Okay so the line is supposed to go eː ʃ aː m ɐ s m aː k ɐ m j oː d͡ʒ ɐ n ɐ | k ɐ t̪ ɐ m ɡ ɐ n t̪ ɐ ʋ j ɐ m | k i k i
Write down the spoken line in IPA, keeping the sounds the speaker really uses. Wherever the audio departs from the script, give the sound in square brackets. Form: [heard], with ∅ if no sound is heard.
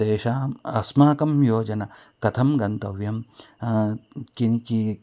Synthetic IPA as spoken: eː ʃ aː m ɐ s m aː k ɐ m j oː d͡ʒ ɐ n ɐ | k ɐ [t̪ʰ] ɐ m ɡ ɐ n t̪ ɐ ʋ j ɐ m | k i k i